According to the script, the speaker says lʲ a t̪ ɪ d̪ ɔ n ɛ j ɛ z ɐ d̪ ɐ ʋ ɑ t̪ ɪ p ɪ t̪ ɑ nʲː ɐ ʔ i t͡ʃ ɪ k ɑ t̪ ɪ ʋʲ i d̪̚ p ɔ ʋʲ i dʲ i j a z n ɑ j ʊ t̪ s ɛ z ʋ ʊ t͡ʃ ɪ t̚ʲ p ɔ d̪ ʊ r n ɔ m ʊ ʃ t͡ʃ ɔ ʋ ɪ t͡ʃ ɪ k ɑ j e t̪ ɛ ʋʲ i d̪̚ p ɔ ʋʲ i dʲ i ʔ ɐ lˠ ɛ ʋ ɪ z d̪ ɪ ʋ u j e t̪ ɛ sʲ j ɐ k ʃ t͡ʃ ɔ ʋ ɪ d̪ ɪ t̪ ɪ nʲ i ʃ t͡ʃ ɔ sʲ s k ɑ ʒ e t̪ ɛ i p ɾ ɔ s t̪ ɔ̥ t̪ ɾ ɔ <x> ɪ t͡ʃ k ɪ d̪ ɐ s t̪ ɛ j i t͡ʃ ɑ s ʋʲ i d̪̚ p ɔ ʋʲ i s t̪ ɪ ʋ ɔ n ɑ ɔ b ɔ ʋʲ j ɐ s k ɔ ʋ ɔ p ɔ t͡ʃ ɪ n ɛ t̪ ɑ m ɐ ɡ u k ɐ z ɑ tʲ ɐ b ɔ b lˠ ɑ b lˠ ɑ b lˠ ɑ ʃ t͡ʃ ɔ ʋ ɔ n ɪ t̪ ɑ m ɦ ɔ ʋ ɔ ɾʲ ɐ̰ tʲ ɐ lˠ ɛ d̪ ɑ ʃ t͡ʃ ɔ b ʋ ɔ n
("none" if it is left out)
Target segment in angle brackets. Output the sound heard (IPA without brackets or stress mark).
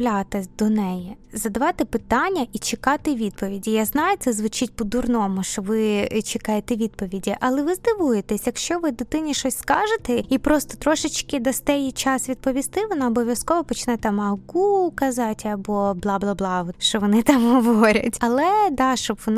ʃ